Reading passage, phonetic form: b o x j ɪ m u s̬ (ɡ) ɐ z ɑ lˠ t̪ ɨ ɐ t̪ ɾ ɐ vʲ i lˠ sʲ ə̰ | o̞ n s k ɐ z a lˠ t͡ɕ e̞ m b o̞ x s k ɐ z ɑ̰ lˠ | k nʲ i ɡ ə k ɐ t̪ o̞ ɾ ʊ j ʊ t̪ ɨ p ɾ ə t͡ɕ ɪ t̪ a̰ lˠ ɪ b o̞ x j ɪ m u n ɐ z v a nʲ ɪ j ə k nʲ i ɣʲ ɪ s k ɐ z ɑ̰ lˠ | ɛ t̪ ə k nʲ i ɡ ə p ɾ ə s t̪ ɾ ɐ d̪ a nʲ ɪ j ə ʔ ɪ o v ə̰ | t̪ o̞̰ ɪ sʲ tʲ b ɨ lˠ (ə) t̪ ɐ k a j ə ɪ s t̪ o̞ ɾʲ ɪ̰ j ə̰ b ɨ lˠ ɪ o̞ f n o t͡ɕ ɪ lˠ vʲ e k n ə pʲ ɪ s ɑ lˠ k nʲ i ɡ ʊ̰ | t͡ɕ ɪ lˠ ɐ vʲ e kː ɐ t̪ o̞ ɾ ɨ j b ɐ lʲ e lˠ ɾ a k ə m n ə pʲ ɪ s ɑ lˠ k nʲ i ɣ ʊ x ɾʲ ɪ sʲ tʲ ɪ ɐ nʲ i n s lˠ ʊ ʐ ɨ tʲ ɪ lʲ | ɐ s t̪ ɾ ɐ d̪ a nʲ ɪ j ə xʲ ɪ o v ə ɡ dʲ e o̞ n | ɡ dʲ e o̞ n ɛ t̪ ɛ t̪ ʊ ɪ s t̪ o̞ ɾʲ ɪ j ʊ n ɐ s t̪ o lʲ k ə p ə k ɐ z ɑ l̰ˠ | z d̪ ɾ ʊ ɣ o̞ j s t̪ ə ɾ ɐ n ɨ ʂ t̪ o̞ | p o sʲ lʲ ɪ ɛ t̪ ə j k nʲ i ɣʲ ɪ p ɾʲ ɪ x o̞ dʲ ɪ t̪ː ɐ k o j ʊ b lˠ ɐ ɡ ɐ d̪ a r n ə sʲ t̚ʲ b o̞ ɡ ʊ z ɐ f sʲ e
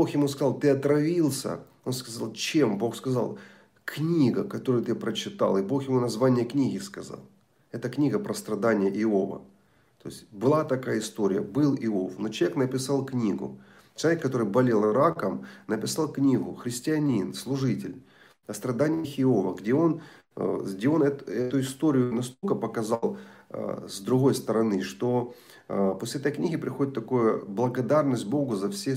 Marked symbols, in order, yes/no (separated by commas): no, no